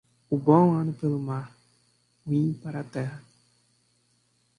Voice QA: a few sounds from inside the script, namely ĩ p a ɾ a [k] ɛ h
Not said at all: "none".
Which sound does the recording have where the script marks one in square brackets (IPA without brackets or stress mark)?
t